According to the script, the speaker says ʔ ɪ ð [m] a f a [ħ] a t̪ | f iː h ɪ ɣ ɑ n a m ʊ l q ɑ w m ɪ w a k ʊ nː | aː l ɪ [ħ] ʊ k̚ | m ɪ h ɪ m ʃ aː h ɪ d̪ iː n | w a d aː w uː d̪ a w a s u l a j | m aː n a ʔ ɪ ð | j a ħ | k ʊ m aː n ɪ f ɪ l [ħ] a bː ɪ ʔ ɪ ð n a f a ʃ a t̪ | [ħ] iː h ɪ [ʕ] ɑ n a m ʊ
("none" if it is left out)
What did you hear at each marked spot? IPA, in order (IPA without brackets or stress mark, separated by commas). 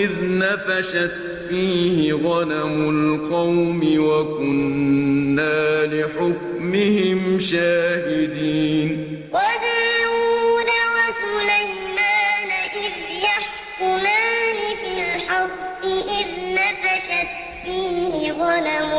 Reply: n, ʃ, ħ, ħ, f, ɣ